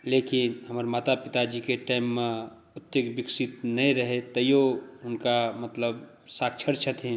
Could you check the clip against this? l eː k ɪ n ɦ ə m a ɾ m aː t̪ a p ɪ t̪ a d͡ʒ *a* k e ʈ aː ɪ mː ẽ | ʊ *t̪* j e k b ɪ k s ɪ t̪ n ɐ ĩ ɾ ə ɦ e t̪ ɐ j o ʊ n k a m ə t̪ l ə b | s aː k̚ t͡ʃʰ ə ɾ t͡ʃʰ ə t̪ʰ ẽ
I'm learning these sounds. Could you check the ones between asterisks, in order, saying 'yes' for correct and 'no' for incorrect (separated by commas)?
no, yes